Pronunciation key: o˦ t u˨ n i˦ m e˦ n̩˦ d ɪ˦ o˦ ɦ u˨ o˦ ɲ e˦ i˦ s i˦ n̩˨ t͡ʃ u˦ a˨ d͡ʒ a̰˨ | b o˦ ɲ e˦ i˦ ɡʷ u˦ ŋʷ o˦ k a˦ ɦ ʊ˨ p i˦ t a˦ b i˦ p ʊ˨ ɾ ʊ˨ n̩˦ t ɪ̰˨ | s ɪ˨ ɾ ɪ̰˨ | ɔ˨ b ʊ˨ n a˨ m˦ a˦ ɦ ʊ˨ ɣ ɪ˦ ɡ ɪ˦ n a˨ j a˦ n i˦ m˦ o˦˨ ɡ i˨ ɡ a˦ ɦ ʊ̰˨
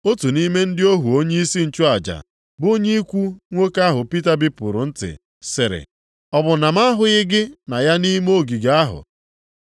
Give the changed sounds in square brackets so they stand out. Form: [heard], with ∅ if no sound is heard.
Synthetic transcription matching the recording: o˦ t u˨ n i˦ m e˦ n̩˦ d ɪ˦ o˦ ɦ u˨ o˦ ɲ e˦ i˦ s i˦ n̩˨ t͡ʃ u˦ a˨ d͡ʒ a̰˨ | b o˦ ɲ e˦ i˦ [kʷ] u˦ ŋʷ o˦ k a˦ ɦ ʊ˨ p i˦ t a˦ b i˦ p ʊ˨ ɾ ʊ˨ n̩˦ t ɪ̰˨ | s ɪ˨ ɾ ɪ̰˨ | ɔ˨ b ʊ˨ n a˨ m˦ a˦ ɦ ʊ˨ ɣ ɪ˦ ɡ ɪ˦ n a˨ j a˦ n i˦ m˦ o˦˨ ɡ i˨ ɡ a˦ ɦ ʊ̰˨